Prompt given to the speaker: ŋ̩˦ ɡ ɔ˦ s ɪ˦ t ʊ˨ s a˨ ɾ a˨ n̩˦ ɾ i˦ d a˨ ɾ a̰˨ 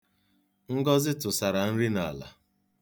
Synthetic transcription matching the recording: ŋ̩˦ ɡ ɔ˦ z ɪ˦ t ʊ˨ s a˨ ɾ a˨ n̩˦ ɾ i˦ n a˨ l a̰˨